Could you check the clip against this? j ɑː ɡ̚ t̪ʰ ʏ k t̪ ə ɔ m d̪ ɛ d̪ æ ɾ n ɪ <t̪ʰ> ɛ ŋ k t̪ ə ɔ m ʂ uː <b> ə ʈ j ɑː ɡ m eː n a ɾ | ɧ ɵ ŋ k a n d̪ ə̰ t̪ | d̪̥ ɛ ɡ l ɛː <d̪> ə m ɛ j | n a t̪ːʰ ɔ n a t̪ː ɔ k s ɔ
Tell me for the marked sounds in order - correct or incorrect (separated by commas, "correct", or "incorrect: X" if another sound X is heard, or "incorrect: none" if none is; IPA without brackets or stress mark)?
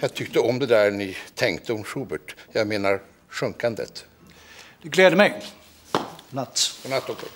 correct, correct, correct